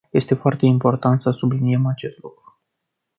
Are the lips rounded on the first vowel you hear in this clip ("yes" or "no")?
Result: no